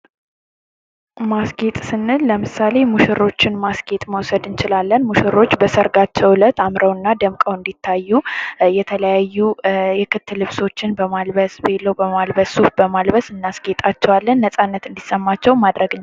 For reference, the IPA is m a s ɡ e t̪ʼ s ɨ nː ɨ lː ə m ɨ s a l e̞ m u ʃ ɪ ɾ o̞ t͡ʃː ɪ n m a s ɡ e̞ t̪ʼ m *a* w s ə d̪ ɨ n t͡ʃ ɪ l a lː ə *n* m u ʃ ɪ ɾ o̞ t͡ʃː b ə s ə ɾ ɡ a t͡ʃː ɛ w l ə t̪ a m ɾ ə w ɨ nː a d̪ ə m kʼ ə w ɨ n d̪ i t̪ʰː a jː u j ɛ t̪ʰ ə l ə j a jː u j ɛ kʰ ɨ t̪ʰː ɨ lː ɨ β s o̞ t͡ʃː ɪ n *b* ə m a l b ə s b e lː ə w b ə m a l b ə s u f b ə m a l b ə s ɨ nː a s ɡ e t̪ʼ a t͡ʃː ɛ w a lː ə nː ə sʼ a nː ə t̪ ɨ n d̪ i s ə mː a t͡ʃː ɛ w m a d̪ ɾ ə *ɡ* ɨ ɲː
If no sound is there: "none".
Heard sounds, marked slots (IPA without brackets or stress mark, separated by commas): ə, n, b, ɡ